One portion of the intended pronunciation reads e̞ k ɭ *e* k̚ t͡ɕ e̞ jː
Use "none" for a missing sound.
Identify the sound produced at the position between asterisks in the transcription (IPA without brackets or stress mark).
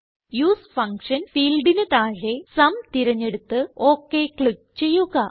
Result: i